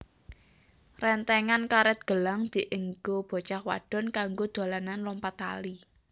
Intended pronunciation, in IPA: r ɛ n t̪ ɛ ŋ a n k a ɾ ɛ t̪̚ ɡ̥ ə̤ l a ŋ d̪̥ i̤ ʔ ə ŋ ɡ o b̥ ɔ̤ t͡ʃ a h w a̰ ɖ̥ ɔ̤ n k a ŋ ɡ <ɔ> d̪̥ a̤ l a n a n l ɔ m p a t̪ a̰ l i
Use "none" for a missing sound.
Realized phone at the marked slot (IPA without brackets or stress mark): o